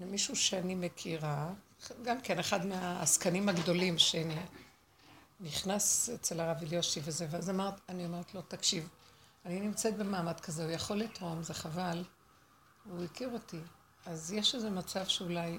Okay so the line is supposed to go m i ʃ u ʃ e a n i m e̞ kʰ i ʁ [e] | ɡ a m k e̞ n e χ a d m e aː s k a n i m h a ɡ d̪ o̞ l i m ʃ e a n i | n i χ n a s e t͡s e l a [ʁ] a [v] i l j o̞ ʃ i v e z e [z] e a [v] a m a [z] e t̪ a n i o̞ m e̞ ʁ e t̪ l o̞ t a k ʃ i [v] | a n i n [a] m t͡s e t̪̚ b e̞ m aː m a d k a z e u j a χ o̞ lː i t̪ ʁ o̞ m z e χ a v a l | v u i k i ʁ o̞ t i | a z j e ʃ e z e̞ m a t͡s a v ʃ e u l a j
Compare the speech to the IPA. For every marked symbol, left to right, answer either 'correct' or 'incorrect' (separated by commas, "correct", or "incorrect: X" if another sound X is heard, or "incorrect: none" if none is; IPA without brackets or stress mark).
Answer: incorrect: a, correct, correct, incorrect: v, incorrect: z, incorrect: ʁ, correct, incorrect: i